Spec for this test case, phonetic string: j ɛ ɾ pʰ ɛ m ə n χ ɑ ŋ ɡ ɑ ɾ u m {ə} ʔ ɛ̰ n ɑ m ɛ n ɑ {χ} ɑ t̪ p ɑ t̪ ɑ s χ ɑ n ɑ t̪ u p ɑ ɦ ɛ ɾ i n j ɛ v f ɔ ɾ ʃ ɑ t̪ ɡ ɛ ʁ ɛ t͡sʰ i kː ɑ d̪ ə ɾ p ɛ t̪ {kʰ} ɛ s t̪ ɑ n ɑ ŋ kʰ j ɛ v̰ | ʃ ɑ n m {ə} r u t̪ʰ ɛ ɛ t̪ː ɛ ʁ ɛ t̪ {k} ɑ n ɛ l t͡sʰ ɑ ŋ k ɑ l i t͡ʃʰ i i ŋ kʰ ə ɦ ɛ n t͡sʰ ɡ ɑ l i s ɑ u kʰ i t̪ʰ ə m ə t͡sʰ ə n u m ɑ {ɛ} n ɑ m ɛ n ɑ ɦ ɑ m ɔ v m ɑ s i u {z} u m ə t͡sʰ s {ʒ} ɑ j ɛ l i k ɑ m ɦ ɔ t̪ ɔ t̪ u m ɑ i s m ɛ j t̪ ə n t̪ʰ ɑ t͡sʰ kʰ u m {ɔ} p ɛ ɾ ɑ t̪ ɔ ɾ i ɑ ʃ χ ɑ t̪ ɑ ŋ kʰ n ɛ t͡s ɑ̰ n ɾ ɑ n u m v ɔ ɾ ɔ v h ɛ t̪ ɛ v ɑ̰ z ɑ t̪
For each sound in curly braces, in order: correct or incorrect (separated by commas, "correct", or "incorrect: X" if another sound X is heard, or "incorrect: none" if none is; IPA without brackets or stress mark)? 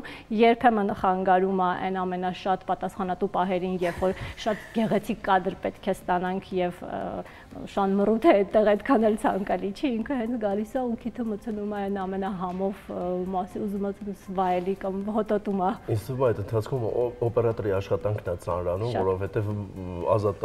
incorrect: ɑ, incorrect: ʃ, correct, correct, incorrect: kʰ, correct, correct, incorrect: v, correct